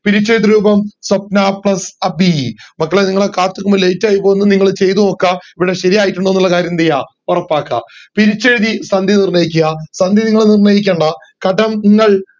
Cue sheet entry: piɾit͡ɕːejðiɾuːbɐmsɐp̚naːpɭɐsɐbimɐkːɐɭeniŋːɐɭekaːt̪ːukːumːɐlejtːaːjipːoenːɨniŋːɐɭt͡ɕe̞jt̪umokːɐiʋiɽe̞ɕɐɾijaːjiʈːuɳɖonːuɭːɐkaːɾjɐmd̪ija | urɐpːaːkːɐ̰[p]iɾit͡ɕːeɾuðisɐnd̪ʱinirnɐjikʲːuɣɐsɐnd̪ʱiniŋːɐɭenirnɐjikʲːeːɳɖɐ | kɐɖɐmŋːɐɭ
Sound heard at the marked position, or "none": p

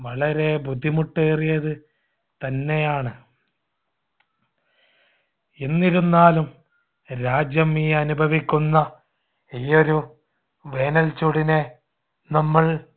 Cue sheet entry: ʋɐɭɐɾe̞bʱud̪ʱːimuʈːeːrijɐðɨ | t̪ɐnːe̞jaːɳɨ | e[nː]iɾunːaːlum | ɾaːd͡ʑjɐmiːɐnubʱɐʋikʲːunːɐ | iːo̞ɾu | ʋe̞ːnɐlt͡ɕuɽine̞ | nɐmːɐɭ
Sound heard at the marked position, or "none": nː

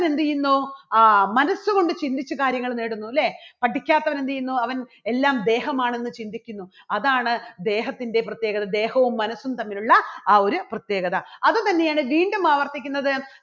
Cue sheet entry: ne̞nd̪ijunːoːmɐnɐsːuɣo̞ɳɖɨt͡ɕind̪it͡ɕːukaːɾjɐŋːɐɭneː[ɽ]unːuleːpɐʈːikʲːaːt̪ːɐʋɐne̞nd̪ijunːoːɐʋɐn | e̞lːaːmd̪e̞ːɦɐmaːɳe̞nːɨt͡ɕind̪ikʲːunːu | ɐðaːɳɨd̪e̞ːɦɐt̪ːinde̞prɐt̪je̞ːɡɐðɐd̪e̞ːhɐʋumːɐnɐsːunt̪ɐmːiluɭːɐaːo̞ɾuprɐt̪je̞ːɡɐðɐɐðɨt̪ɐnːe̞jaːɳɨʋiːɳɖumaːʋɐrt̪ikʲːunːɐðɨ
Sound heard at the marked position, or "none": ɽ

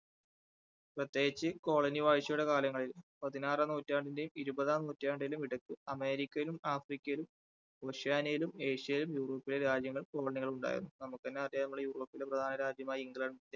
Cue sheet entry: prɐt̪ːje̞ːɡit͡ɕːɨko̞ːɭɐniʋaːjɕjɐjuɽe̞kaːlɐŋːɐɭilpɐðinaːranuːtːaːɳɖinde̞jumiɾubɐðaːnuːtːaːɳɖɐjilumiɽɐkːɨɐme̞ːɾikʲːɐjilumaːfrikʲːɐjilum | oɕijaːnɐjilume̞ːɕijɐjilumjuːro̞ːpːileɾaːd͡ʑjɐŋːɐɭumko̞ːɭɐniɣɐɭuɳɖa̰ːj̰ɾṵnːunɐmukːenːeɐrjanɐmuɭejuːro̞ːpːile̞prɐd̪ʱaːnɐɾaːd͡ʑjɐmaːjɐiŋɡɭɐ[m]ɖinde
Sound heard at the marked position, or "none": ɳ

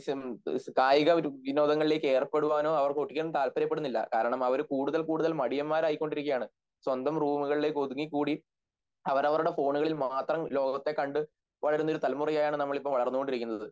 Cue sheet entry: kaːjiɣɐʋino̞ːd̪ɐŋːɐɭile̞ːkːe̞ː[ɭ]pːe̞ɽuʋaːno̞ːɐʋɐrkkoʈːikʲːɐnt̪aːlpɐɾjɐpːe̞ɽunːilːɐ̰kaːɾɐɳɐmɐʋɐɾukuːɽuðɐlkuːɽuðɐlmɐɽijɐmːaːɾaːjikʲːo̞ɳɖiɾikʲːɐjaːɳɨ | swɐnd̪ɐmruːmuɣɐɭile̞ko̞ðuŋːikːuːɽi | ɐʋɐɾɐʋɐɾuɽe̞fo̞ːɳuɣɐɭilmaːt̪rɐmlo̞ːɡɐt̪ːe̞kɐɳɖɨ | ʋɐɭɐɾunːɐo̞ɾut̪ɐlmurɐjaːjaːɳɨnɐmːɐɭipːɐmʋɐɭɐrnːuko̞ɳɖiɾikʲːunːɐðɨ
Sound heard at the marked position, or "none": r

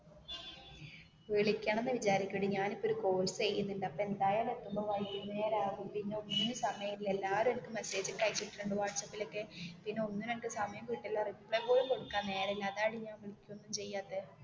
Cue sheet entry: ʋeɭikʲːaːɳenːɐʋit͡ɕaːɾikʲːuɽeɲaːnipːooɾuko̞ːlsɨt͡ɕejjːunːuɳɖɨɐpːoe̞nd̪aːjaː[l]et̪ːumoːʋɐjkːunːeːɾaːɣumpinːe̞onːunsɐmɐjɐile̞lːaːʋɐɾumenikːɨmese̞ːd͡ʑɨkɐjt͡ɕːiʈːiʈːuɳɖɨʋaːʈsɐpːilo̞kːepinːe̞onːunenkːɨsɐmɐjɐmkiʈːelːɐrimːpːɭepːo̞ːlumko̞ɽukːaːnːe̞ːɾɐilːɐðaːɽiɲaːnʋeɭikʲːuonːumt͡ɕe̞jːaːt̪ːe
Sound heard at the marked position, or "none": l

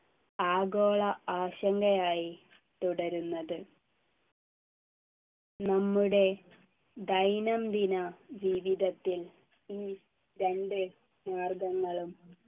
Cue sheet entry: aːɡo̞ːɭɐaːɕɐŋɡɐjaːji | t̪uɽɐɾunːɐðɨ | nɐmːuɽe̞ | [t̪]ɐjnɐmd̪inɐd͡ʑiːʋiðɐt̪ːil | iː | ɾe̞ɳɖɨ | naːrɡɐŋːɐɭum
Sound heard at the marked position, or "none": d̪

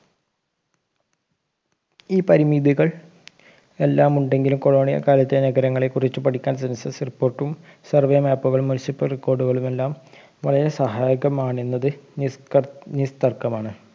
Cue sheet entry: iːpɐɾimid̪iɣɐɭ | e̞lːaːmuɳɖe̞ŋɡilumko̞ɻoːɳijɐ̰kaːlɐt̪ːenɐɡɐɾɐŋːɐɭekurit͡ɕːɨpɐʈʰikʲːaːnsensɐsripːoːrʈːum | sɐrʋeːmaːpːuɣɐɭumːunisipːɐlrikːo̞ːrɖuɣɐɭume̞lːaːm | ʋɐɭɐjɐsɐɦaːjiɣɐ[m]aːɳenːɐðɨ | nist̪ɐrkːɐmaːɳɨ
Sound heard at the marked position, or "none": m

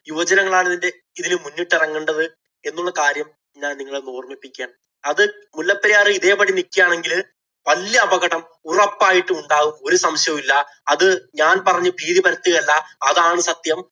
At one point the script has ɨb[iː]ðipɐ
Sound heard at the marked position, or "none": iː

